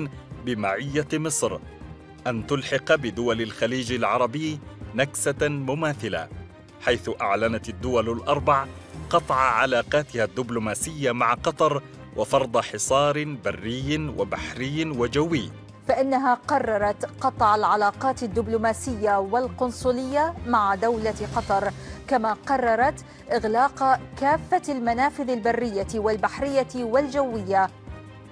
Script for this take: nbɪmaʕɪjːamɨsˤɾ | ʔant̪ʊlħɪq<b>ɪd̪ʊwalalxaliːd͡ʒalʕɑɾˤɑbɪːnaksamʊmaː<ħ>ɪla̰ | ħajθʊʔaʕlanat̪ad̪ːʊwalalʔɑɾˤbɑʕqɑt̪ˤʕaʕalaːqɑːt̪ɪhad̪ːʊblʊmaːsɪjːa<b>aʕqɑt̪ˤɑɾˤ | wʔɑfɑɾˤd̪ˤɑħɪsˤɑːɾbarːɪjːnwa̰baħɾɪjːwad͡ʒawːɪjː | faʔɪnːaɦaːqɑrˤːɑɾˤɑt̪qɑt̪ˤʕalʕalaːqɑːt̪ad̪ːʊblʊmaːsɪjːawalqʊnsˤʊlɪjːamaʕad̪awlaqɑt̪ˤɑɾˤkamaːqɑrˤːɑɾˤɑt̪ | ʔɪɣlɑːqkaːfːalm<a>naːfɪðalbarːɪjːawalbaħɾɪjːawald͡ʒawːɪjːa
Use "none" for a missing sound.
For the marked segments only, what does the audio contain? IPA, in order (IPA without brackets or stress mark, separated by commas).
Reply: b, θ, m, a